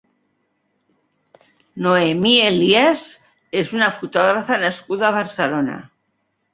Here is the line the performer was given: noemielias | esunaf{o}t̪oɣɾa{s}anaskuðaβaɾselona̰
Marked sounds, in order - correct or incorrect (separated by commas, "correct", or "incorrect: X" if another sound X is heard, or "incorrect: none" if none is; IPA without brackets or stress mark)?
incorrect: u, incorrect: f